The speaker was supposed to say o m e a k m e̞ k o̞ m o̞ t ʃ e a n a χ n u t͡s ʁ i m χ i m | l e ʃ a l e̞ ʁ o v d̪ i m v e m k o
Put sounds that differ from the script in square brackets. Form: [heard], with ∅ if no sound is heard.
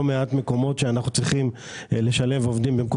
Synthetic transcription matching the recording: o m e a [t] m e̞ k o̞ m o̞ t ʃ e a n a χ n u t͡s ʁ i [∅] χ i m | l e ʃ a l e̞ [v] o v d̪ i m [b] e m k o